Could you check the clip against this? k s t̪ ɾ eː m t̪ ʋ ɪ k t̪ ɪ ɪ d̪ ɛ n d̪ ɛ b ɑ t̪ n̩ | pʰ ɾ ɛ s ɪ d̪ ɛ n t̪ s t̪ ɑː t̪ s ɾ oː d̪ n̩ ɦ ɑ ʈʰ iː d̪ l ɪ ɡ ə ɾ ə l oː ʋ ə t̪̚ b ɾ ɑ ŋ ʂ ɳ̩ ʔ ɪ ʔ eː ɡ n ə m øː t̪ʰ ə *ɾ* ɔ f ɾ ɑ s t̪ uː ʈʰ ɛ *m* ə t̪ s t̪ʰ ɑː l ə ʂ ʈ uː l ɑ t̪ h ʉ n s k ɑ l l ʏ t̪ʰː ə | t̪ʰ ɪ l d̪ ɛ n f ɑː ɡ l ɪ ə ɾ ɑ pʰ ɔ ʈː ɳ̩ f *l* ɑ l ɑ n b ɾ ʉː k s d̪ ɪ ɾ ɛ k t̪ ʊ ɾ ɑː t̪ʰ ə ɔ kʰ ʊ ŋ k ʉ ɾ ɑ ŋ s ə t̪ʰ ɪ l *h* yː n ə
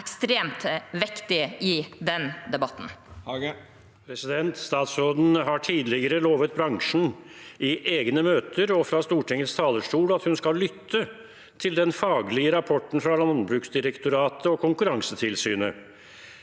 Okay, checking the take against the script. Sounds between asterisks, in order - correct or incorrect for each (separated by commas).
correct, incorrect, incorrect, incorrect